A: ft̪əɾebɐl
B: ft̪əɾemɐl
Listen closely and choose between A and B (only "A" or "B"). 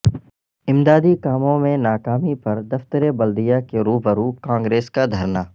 A